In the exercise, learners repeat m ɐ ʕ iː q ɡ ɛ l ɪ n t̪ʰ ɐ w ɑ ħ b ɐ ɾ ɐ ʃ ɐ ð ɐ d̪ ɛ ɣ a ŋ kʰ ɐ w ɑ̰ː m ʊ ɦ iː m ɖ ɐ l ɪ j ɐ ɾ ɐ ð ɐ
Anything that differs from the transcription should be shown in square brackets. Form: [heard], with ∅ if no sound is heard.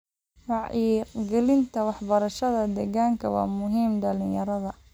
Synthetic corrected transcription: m [ɑ] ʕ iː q ɡ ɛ l ɪ n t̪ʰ ɐ w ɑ ħ b ɐ ɾ ɐ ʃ ɐ ð ɐ d̪ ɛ ɣ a ŋ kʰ ɐ w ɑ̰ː m ʊ ɦ iː m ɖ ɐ l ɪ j ɐ ɾ ɐ ð ɐ